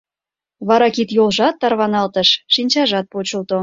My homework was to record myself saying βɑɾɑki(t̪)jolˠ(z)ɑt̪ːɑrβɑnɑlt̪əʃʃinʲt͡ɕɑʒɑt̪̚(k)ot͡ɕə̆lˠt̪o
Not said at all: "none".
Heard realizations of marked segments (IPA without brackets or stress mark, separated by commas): t̪, ʒ, p